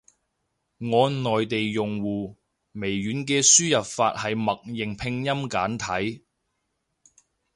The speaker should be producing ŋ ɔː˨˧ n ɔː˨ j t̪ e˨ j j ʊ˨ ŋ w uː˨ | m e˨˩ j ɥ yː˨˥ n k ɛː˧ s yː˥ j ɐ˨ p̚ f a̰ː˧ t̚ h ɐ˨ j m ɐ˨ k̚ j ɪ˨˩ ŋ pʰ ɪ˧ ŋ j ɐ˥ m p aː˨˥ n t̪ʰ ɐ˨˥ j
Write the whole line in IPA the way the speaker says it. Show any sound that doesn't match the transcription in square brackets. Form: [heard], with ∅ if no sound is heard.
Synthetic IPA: ŋ ɔː˨˧ n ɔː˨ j t̪ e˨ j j ʊ˨ ŋ w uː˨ | m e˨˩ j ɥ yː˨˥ n k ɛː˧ s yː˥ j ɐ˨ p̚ f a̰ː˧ t̚ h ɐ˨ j m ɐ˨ k̚ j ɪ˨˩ ŋ pʰ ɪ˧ ŋ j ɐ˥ m [k] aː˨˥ n t̪ʰ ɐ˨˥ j